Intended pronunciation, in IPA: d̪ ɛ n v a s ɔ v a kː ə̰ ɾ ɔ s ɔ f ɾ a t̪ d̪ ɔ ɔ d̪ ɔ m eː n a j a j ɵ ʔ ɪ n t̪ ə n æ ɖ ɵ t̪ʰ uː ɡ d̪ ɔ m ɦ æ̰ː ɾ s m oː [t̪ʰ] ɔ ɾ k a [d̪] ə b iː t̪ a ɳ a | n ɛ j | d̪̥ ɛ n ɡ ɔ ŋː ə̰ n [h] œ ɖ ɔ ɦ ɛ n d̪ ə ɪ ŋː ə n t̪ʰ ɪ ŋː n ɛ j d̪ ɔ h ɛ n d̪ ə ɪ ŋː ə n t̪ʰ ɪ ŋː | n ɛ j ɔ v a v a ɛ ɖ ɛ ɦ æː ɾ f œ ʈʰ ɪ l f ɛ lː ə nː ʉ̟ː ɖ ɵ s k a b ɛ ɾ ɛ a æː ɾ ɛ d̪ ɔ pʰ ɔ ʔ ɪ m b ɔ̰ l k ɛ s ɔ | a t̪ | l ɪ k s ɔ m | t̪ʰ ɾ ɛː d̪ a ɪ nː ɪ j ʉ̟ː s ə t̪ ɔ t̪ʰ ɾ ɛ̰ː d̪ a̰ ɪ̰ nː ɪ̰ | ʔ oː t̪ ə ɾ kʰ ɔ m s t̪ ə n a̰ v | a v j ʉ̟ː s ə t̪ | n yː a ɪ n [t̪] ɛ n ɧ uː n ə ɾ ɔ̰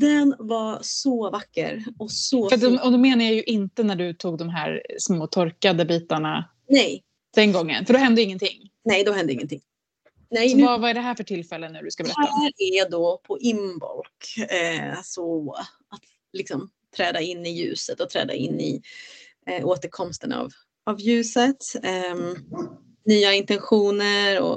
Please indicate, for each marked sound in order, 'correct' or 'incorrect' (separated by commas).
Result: correct, correct, incorrect, correct